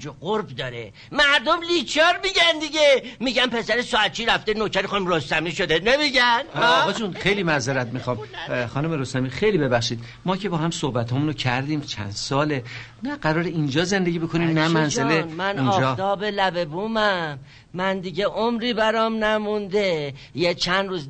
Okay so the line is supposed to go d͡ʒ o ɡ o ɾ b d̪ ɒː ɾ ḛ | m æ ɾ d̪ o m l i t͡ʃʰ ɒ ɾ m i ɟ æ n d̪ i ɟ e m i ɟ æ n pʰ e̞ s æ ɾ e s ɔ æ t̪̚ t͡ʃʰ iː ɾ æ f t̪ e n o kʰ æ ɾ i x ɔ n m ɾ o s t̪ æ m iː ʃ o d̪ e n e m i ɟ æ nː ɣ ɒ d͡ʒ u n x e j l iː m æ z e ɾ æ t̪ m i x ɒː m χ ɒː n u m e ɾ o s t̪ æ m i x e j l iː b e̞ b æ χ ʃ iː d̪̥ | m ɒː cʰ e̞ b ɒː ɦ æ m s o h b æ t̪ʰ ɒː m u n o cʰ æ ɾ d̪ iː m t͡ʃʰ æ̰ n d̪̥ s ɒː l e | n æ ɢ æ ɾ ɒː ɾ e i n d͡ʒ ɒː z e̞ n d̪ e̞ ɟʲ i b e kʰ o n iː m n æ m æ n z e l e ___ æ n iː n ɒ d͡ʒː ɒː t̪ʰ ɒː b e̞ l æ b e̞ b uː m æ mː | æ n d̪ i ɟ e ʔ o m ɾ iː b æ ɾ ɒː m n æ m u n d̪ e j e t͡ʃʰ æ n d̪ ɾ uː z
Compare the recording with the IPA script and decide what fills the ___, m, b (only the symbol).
m